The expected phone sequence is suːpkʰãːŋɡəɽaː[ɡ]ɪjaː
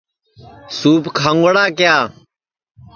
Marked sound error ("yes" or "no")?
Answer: yes